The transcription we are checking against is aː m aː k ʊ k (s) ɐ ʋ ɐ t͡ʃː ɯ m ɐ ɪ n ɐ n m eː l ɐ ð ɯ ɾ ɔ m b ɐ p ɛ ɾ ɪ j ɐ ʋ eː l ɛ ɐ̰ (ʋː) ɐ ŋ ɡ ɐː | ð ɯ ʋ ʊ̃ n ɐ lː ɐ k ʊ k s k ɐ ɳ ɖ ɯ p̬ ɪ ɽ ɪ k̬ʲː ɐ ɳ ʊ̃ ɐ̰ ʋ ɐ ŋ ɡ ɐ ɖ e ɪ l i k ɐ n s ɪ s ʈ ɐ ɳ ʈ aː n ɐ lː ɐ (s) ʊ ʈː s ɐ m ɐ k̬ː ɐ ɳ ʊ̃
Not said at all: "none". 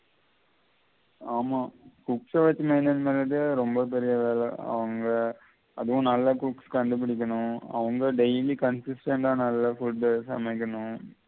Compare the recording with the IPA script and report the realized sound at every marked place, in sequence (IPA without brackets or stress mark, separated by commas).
s, ʋ, f